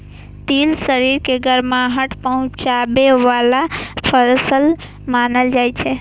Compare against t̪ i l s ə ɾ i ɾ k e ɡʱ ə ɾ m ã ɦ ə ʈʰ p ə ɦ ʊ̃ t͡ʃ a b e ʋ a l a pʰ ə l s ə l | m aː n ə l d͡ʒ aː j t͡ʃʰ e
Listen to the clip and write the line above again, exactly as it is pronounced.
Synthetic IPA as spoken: t̪ i l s ə ɾ i ɾ k e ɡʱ ə ɾ m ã ɦ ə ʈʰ p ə ɦ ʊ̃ t͡ʃ a b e ʋ a l a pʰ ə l s ə l | m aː n ə l d͡ʒ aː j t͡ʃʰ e